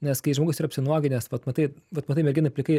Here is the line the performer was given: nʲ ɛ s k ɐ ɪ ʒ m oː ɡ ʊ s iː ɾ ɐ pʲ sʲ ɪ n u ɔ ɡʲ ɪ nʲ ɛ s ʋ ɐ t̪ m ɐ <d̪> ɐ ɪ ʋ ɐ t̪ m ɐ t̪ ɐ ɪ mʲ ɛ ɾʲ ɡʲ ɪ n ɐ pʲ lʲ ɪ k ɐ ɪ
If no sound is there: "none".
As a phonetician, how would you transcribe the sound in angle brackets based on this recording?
t̪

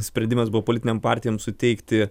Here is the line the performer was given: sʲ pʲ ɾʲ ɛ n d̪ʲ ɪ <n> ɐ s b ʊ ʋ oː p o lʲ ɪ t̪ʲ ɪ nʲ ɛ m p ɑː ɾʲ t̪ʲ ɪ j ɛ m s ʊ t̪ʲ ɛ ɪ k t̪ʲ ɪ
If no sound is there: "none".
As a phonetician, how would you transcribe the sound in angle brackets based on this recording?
m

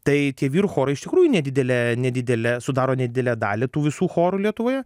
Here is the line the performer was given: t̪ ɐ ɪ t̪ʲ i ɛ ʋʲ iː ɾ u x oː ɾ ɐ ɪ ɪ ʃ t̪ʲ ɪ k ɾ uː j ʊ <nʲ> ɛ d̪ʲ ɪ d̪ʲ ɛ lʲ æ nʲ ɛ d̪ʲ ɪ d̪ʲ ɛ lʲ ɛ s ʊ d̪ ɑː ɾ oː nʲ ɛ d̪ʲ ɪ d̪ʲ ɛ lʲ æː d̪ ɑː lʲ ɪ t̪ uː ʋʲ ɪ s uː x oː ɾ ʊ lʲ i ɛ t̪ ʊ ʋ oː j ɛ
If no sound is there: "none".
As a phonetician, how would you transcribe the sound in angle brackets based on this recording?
nʲ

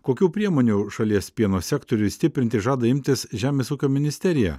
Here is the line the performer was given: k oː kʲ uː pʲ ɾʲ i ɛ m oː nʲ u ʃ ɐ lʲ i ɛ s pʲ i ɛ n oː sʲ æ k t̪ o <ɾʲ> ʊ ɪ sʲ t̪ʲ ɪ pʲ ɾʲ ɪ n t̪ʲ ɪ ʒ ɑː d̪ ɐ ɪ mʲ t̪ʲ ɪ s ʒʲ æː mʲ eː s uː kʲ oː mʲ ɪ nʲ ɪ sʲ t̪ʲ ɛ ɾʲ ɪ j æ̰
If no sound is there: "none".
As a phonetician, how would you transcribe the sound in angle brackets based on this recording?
ɾʲ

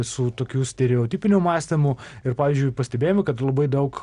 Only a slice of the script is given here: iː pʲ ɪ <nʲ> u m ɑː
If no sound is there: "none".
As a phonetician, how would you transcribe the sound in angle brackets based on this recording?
nʲ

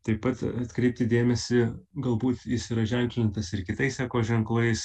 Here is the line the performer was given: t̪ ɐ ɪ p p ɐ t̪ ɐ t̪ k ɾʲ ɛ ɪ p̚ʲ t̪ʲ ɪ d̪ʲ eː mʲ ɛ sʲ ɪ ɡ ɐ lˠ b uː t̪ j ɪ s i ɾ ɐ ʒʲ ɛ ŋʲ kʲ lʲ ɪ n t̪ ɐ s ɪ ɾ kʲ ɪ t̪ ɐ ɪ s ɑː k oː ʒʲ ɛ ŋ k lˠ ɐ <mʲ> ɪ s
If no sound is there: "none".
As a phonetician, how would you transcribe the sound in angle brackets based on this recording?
none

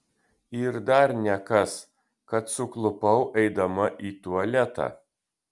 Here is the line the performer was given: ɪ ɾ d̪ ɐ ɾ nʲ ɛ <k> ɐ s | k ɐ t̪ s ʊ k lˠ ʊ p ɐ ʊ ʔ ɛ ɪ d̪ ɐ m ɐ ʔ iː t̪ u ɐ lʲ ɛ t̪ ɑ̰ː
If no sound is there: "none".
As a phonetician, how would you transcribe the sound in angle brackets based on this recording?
k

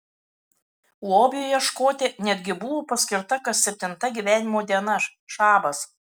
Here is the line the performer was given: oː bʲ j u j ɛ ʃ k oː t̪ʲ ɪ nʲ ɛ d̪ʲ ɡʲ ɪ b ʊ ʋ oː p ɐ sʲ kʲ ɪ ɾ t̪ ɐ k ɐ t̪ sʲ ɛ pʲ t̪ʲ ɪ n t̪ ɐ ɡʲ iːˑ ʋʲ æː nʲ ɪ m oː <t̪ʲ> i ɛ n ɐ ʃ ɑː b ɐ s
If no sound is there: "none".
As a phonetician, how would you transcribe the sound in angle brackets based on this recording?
d̪ʲ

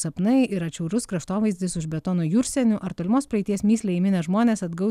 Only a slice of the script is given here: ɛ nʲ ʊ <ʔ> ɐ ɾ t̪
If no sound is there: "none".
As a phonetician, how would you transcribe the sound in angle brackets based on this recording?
ʔ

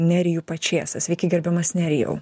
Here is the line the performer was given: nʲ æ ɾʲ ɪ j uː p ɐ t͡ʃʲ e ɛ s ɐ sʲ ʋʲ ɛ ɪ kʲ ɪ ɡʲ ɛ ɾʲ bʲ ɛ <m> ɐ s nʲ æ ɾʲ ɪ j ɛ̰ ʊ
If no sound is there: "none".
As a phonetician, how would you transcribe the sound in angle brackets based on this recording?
m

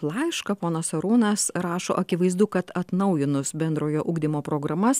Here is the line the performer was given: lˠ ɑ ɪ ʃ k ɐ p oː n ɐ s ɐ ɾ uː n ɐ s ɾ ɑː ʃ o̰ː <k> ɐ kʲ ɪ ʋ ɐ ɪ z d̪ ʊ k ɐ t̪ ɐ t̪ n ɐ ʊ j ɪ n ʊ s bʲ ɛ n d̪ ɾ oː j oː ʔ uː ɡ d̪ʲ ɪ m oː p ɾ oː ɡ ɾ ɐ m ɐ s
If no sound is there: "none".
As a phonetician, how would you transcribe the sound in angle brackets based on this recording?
ʔ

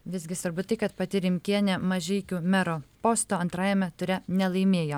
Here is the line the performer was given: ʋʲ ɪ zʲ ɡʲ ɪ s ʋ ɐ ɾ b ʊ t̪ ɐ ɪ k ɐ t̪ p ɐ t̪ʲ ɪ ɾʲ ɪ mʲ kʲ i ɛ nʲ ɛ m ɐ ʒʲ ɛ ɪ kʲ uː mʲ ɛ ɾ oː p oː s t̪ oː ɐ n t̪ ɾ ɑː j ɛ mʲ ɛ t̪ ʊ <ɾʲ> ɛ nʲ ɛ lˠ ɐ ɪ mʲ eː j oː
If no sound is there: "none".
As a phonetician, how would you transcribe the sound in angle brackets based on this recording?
ɾʲ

